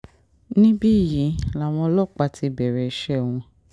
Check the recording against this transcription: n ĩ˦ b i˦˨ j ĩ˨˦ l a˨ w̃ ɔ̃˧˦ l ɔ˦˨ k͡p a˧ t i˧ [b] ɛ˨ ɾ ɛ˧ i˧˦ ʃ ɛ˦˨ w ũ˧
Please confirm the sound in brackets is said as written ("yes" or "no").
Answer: yes